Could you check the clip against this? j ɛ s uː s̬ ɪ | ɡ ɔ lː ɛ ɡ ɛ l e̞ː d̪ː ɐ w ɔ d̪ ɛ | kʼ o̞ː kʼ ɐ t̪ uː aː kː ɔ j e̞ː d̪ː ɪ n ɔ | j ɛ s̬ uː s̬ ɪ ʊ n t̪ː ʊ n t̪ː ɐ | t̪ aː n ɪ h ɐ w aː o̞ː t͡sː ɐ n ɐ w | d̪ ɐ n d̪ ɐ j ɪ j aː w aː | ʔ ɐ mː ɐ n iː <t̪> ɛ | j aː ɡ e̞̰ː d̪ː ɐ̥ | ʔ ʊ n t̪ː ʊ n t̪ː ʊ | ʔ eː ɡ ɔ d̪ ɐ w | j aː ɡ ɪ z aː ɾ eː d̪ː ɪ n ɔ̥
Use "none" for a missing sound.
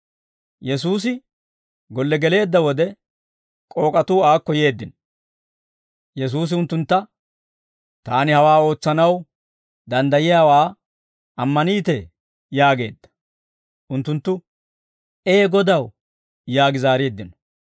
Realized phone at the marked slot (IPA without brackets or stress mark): t̪